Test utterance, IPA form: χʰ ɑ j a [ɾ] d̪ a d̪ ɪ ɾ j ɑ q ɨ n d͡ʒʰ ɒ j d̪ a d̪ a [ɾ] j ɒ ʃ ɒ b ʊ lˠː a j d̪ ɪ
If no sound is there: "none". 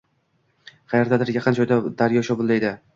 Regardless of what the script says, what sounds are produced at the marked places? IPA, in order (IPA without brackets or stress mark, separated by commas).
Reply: ɾ, ɾ